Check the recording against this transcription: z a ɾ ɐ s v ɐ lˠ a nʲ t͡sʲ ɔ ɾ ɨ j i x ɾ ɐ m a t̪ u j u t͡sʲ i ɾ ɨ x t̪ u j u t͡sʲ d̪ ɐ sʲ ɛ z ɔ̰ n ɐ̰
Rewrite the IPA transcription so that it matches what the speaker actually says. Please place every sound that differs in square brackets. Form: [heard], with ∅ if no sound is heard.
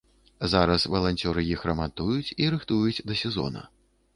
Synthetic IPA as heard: z a ɾ ɐ s v ɐ lˠ a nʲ t͡sʲ ɔ ɾ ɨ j i x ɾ ɐ m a t̪ u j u t͡sʲ i ɾ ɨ x t̪ u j u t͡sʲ d̪ ɐ sʲ ɛ z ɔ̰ n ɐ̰